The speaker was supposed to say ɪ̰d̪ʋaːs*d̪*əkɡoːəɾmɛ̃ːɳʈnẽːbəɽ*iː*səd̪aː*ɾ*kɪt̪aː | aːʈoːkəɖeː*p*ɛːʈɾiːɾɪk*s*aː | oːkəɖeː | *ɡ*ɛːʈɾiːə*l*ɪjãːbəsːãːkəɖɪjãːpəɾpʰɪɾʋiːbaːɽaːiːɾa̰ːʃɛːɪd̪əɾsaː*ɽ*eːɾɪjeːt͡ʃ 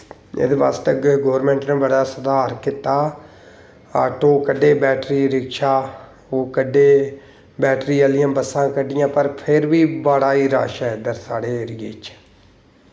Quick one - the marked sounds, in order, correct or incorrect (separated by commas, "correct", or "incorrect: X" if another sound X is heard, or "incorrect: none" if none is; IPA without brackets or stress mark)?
incorrect: t̪, incorrect: aː, correct, incorrect: b, incorrect: ʃ, incorrect: b, correct, correct